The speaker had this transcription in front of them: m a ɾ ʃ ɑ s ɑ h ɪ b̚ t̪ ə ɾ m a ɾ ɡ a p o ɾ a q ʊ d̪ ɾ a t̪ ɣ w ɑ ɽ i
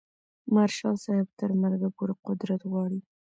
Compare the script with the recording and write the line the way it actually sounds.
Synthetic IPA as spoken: m a ɾ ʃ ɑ s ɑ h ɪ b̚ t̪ ə ɾ m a ɾ ɡ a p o ɾ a q ʊ d̪ ɾ a t̪ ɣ w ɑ ɽ i